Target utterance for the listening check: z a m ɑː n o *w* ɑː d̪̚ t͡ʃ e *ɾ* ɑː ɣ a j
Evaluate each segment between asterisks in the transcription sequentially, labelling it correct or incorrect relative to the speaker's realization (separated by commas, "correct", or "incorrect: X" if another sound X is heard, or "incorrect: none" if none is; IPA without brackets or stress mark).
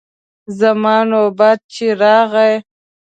incorrect: b, correct